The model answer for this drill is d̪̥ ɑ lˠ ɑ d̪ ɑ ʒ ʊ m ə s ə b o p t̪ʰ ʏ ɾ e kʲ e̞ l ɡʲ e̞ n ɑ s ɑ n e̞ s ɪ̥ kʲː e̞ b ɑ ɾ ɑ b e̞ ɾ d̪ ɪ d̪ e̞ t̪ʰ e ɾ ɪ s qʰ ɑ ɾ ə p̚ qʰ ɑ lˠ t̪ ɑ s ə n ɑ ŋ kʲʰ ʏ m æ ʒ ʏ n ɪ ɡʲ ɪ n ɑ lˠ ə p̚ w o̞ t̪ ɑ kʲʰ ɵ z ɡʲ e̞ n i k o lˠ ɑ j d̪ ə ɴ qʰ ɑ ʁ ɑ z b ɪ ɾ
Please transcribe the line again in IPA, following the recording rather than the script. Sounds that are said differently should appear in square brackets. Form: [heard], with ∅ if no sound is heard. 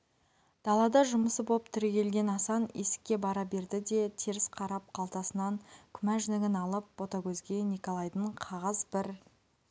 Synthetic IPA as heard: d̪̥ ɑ lˠ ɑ d̪ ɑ ʒ ʊ m ə s ə b o p t̪ʰ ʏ ɾ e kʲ e̞ l ɡʲ e̞ n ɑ s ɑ n e̞ s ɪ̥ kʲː e̞ b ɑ ɾ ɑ b e̞ ɾ d̪ ɪ d̪ e̞ t̪ʰ e ɾ ɪ s qʰ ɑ ɾ [ɑ] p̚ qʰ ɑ lˠ t̪ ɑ s ə n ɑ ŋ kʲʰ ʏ m æ ʒ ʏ n ɪ ɡʲ ɪ n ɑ lˠ ə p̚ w o̞ t̪ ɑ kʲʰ ɵ z ɡʲ e̞ n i k o lˠ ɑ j d̪ ə ɴ qʰ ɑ ʁ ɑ z b ɪ ɾ